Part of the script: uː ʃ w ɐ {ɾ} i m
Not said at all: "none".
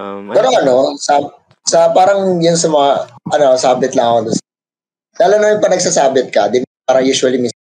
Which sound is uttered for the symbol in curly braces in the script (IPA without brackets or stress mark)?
l